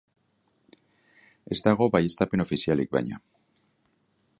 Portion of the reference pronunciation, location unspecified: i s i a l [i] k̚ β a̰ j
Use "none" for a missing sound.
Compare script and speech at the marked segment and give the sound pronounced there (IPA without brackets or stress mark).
i